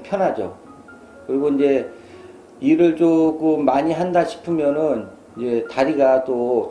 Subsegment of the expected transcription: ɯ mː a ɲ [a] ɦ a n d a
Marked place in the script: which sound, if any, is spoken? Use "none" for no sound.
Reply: i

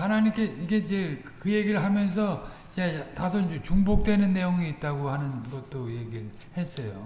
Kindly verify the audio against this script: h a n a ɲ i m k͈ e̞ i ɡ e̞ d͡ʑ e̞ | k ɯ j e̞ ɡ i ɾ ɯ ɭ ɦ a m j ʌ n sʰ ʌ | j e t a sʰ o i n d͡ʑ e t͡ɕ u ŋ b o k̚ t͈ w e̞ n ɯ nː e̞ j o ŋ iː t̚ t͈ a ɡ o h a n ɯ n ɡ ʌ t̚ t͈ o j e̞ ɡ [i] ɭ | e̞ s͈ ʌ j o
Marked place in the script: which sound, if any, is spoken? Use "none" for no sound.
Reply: i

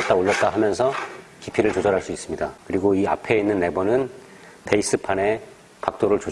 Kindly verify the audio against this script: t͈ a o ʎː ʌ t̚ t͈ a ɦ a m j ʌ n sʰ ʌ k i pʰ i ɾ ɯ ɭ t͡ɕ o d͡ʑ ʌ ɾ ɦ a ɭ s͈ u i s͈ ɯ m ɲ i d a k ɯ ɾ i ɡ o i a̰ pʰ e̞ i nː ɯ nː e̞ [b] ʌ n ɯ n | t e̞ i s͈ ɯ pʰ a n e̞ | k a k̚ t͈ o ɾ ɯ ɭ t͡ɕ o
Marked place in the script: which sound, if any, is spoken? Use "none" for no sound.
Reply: b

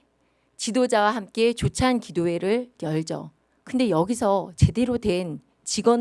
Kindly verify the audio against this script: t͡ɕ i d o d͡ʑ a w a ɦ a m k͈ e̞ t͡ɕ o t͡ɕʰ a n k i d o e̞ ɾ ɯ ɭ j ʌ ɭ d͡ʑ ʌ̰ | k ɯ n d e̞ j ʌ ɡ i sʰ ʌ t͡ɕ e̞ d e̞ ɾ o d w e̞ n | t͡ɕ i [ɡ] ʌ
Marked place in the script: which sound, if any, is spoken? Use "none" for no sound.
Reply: ɡ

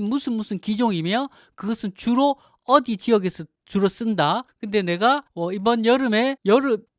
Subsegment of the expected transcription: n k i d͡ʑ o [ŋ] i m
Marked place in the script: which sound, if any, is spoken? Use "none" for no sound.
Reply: ŋ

